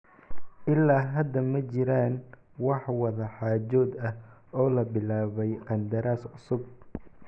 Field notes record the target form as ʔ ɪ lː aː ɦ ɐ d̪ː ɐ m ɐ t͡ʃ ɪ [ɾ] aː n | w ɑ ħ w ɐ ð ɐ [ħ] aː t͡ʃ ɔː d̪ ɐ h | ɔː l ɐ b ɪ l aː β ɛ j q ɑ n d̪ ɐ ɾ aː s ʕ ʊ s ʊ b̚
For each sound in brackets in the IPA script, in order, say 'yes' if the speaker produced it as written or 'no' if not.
yes, yes

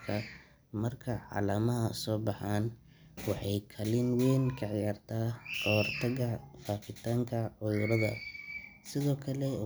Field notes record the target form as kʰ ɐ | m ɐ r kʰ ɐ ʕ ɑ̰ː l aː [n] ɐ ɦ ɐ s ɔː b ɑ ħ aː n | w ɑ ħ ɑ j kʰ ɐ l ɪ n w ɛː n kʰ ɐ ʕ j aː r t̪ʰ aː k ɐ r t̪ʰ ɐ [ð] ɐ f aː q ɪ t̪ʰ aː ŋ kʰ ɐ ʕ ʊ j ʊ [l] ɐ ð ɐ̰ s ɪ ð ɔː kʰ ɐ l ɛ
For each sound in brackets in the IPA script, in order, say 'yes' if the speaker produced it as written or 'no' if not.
no, no, no

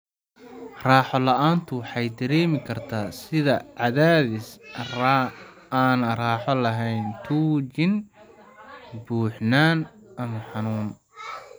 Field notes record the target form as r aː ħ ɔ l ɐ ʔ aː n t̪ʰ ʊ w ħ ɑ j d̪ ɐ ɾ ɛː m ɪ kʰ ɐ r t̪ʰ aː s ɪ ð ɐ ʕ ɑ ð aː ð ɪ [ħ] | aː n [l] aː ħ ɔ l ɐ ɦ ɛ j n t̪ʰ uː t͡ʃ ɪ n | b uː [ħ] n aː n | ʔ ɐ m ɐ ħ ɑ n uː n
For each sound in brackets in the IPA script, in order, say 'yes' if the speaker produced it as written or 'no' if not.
no, no, yes

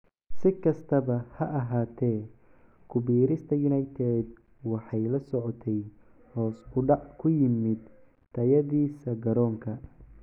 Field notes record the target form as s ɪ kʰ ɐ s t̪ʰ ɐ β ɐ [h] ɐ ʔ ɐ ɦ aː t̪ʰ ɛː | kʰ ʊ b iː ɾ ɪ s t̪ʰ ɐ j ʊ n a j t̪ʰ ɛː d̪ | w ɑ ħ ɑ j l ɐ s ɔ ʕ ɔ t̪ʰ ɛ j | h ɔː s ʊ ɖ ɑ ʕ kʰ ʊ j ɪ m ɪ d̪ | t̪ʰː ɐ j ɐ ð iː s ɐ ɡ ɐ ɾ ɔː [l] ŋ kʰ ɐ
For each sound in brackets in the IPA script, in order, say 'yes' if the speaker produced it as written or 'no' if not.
yes, no

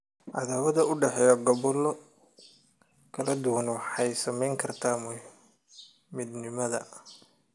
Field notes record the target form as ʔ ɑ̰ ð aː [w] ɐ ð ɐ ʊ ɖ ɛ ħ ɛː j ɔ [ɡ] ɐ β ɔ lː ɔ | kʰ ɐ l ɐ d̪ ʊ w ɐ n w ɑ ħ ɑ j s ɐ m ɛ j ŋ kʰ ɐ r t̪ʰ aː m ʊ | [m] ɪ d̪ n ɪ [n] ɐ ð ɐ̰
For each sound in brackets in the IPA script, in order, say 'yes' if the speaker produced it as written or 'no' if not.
yes, yes, yes, no

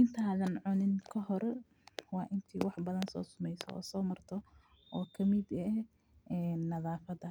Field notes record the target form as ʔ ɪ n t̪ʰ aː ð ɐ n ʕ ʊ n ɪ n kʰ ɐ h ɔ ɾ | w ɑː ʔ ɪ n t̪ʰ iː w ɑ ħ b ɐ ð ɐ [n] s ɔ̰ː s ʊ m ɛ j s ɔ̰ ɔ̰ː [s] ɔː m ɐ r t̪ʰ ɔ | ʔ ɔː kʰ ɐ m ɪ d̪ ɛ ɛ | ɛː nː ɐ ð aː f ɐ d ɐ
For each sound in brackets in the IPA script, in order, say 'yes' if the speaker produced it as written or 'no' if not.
yes, yes

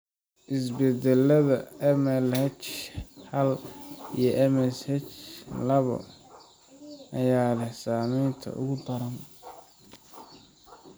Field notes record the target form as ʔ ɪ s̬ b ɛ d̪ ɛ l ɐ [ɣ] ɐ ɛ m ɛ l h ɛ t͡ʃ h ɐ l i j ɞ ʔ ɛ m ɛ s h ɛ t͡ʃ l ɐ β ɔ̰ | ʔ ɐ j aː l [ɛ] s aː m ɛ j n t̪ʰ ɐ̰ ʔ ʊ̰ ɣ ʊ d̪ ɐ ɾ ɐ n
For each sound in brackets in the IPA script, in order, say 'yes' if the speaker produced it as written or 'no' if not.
no, yes

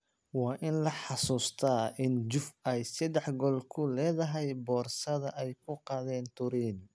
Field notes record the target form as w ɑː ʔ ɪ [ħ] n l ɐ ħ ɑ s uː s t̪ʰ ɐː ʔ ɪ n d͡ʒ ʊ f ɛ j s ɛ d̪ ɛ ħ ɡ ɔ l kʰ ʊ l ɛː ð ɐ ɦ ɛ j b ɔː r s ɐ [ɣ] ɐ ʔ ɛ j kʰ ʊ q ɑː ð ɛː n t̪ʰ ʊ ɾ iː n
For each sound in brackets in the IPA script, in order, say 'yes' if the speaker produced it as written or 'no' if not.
no, no

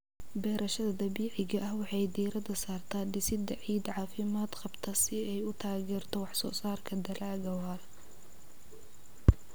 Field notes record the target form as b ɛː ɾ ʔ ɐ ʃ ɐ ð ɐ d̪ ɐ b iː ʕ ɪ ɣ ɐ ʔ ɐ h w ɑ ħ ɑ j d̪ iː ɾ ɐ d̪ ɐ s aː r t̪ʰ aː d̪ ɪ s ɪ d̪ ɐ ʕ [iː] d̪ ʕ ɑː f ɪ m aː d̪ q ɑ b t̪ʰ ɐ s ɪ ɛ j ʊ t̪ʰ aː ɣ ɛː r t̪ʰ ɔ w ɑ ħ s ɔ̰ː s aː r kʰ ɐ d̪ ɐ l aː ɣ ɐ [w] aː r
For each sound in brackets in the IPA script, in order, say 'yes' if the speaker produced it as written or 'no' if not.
yes, yes

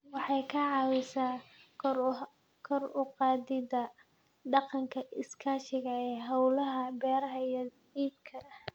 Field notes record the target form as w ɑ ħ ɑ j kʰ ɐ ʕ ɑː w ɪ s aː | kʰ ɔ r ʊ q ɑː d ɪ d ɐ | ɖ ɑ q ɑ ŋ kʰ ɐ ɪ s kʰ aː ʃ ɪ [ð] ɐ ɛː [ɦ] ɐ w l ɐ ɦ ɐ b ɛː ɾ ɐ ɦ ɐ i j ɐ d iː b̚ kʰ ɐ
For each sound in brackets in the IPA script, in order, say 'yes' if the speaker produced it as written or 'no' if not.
no, yes

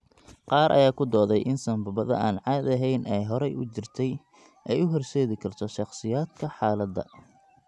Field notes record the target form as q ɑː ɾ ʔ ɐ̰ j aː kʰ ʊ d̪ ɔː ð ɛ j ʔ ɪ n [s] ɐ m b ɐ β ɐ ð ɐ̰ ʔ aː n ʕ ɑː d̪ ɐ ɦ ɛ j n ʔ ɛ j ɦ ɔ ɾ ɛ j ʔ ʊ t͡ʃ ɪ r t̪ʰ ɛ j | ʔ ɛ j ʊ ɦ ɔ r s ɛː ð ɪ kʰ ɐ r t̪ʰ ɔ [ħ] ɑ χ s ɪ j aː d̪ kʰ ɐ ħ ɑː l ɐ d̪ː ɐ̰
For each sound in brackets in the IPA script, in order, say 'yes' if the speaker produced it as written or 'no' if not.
yes, no

